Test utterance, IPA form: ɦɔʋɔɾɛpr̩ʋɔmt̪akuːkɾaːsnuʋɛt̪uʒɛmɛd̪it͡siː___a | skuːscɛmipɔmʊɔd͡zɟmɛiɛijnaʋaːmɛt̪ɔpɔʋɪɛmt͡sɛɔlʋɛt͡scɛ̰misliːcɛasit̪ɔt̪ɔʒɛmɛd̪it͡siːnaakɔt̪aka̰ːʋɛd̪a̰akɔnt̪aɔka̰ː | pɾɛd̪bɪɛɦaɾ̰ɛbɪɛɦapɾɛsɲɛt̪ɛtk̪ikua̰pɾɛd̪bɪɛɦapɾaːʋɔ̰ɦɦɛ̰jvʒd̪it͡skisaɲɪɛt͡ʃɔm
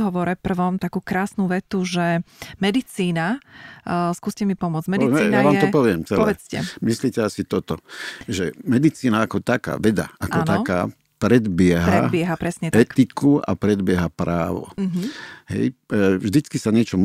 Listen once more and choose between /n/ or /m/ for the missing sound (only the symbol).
n